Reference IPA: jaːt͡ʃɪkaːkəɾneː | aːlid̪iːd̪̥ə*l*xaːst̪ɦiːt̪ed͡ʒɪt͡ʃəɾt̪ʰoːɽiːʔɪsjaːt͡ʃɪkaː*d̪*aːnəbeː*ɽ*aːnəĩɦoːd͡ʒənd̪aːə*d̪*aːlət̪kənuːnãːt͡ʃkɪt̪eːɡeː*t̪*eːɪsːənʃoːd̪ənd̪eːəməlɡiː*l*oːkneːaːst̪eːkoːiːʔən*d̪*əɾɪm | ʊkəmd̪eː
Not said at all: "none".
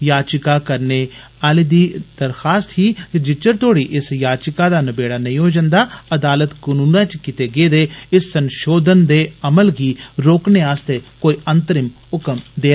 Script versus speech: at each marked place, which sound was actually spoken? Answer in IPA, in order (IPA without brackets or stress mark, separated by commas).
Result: ɾ, d̪, ɽ, d̪, d̪, ɾ, t̪